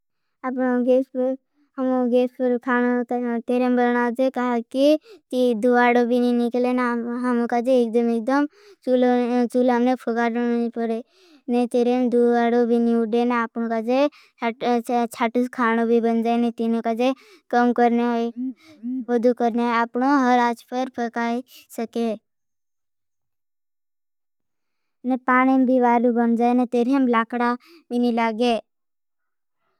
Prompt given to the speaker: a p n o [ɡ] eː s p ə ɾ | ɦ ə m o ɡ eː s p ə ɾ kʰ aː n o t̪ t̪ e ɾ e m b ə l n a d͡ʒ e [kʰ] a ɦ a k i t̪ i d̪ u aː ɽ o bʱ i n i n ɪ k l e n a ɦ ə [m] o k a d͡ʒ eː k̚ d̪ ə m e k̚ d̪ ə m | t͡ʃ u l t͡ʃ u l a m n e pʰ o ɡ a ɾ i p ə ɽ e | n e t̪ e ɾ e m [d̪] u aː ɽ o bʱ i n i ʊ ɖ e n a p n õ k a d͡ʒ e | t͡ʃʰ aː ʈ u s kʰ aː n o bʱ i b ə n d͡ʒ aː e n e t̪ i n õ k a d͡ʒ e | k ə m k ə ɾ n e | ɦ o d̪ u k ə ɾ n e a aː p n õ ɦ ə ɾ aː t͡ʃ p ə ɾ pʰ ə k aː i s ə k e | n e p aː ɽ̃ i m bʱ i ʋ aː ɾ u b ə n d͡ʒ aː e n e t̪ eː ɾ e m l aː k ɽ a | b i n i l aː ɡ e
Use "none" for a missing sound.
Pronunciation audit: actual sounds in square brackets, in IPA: ɡ, k, m, d̪

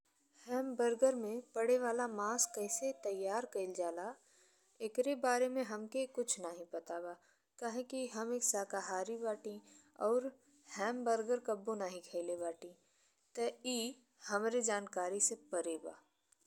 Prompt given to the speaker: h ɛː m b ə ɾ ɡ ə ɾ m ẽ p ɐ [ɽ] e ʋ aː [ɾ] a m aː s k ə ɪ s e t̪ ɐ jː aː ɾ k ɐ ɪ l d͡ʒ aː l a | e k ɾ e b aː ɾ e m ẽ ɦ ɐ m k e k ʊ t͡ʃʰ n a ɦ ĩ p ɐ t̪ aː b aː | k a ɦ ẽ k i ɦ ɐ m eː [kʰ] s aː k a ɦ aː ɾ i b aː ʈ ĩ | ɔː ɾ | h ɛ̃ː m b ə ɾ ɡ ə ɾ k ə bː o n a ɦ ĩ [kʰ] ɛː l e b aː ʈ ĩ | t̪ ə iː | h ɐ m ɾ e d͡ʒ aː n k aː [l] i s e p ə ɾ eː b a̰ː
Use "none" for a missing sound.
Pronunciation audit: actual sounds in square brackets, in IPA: ɽ, l, k, kʰ, ɾ

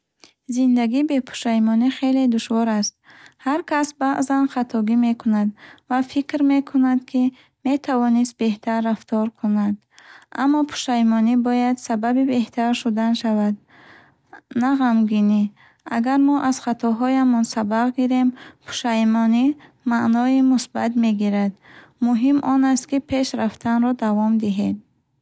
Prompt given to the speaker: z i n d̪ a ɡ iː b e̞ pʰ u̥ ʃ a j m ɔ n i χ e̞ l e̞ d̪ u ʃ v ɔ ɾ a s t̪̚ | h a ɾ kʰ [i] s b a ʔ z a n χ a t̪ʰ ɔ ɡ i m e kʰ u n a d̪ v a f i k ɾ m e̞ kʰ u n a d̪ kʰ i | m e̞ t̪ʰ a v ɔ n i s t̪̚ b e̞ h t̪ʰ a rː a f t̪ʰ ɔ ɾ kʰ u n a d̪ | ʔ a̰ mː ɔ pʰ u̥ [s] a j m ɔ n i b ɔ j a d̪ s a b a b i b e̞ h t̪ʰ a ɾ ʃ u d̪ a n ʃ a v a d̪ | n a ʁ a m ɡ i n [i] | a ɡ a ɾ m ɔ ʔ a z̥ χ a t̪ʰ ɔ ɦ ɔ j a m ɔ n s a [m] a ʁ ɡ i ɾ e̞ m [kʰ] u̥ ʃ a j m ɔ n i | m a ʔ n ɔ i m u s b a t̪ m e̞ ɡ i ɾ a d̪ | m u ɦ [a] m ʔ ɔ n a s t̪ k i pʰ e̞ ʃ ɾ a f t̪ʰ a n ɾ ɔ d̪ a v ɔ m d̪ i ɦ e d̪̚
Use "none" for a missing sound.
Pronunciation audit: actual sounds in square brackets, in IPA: a, ʃ, i, b, pʰ, i

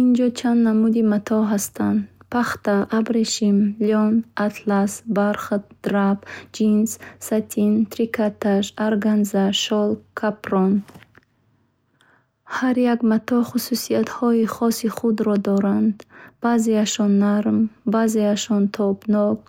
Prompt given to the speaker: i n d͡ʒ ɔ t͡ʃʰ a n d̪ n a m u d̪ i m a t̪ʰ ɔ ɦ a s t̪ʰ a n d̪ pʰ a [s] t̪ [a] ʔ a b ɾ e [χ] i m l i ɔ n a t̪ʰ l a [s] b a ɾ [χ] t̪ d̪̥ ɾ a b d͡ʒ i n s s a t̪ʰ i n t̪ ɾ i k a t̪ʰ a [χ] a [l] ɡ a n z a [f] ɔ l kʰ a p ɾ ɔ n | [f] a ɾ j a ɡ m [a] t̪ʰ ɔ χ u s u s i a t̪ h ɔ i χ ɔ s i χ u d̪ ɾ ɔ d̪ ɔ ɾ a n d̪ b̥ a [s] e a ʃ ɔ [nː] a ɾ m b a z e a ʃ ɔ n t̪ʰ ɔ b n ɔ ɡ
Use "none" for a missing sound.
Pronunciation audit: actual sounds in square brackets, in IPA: χ, a, ʃ, s, χ, ʃ, ɾ, ʃ, h, a, z, nː

